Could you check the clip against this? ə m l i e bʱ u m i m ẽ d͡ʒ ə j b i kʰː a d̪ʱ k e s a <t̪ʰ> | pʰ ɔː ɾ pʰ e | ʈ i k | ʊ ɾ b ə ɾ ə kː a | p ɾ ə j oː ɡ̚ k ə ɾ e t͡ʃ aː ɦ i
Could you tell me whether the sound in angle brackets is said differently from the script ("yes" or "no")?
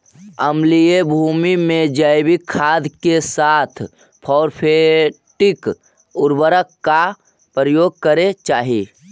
no